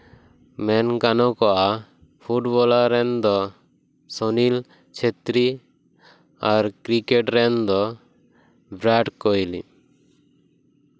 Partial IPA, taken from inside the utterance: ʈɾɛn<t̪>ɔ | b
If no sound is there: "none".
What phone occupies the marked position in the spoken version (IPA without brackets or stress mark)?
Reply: d̪